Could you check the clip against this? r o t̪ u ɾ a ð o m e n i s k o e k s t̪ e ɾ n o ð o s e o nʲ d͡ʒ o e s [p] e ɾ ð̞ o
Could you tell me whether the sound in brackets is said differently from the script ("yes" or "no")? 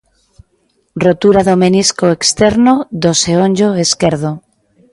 yes